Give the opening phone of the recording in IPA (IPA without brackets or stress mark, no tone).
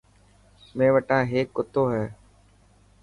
m